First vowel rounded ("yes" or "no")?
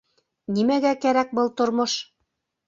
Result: no